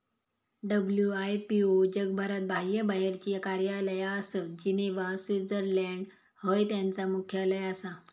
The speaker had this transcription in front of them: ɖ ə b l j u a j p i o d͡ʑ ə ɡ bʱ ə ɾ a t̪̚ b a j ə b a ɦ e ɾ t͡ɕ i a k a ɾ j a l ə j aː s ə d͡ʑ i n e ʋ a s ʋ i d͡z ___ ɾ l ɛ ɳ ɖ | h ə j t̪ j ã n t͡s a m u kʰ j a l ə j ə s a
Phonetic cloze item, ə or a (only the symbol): ə